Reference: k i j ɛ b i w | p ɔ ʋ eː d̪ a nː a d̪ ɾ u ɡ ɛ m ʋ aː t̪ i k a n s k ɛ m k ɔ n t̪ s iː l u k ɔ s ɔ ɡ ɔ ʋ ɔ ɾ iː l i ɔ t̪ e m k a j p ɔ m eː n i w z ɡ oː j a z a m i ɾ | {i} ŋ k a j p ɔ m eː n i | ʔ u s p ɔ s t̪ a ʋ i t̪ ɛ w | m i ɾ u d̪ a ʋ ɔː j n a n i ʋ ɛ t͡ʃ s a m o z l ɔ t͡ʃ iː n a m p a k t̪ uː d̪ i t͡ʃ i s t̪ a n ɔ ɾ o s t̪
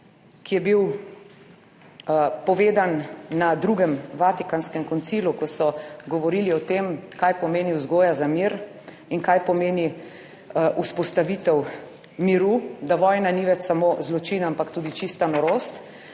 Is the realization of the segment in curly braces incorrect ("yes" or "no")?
no